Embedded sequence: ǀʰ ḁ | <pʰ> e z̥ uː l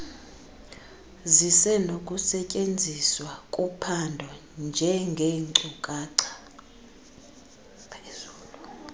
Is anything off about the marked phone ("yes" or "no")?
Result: no